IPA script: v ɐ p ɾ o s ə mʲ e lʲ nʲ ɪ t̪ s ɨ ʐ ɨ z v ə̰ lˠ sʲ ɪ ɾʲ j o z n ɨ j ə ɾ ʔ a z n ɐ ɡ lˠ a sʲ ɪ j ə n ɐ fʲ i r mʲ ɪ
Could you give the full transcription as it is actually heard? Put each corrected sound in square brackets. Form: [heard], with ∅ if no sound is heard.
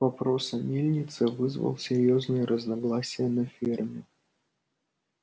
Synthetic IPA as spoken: v ɐ p ɾ o s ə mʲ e lʲ nʲ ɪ t̪ s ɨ [v] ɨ z v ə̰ lˠ sʲ ɪ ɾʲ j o z n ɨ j ə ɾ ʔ [ə] z n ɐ ɡ lˠ a sʲ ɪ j ə n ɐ fʲ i r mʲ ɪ